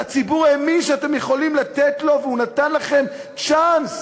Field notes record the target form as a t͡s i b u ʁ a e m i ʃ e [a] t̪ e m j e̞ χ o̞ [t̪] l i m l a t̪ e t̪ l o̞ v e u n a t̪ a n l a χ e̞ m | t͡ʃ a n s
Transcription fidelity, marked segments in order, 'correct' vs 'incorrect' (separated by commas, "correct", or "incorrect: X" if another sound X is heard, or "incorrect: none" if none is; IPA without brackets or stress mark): correct, incorrect: none